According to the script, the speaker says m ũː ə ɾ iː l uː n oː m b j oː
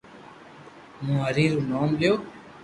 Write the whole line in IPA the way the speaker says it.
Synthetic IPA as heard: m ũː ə ɾ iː ɾ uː n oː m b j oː